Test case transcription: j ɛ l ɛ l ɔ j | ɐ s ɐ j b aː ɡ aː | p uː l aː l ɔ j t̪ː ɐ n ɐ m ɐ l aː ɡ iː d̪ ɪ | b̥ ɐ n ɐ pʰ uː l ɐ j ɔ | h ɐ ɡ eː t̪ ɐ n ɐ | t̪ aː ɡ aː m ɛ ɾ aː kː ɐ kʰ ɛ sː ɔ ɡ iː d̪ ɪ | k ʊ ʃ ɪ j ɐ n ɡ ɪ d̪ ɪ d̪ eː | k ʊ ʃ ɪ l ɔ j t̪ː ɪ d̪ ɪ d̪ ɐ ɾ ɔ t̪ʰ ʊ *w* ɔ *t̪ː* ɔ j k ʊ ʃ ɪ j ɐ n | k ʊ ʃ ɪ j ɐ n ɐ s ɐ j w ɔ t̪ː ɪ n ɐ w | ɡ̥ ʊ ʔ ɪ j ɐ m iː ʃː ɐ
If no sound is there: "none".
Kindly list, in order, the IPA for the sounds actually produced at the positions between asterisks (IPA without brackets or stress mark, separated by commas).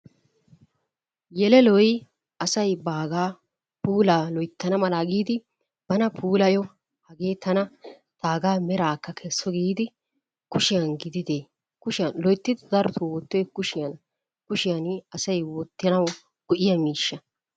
w, t̪ː